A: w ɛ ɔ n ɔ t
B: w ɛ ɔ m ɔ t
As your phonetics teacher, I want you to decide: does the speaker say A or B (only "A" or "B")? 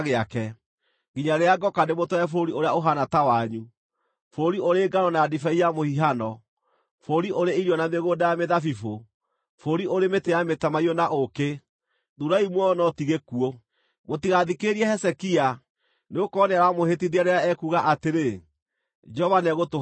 A